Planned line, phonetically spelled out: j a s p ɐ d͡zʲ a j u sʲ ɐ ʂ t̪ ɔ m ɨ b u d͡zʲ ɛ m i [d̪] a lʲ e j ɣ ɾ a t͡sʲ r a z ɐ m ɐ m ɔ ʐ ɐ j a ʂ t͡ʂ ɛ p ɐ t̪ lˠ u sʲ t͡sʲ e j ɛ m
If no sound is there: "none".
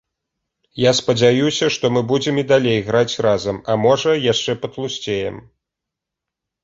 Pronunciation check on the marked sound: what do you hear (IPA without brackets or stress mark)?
d̪